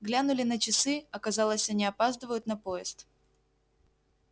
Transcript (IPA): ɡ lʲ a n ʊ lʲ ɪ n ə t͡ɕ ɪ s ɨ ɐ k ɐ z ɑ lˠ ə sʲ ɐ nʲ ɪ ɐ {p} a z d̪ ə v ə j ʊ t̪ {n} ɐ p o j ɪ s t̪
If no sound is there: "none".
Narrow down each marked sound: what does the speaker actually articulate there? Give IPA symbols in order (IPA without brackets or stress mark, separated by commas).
p, n